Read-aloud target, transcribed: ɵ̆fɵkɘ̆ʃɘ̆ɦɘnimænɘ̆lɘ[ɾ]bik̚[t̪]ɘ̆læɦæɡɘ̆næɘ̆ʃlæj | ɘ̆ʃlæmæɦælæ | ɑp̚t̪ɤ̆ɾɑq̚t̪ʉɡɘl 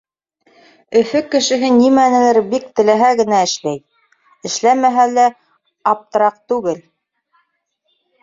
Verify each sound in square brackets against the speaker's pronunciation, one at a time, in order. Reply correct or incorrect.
correct, correct

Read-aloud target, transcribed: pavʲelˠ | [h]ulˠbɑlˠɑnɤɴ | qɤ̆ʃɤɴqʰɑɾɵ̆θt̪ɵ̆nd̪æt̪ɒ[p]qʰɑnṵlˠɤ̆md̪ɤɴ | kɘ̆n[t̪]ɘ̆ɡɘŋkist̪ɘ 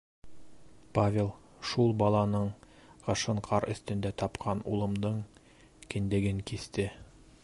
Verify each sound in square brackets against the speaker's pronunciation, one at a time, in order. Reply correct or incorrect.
incorrect: ʃ, correct, incorrect: d̪

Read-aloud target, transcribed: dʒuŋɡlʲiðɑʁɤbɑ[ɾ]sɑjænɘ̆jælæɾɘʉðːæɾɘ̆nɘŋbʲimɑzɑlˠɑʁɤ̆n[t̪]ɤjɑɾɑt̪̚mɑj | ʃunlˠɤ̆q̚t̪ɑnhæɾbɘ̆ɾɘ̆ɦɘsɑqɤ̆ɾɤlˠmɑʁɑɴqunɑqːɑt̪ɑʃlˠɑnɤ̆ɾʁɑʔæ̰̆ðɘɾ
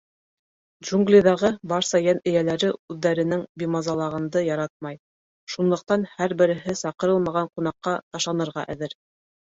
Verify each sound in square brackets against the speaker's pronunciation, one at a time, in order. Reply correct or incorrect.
correct, incorrect: d̪

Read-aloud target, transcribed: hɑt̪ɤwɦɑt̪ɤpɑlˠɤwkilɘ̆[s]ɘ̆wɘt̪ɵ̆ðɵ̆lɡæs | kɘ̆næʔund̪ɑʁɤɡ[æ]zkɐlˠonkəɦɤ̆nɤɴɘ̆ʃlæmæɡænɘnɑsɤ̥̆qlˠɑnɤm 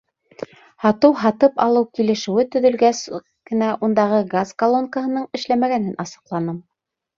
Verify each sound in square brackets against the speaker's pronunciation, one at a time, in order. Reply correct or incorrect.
incorrect: ʃ, incorrect: a

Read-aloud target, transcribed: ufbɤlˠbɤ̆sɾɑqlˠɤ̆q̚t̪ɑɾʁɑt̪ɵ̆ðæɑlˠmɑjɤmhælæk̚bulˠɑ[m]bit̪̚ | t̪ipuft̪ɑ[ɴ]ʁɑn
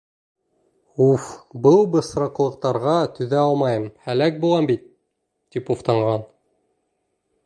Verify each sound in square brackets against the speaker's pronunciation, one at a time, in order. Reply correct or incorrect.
correct, correct

